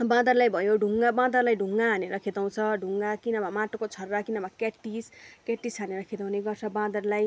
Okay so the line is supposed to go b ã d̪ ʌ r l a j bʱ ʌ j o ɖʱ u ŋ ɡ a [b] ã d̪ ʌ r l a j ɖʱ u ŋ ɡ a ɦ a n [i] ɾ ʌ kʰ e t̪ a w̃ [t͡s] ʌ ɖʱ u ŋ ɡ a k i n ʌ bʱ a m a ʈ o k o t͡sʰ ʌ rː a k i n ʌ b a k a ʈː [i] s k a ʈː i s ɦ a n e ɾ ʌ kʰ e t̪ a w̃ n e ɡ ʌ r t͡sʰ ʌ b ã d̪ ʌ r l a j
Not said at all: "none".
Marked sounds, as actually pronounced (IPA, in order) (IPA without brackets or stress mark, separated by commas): b, e, t͡sʰ, i